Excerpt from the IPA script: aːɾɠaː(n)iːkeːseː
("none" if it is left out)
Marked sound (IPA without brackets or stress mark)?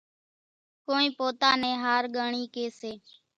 ɳ